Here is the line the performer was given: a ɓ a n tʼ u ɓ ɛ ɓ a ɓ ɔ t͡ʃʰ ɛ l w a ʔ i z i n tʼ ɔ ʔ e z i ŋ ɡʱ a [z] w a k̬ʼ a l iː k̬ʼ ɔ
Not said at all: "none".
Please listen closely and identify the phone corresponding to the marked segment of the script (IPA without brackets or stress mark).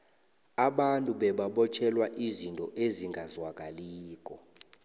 z